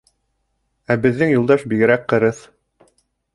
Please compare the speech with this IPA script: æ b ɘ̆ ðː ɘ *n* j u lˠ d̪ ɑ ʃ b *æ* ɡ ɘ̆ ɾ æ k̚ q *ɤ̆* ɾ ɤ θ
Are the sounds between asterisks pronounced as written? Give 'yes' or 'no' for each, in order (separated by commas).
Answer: no, no, yes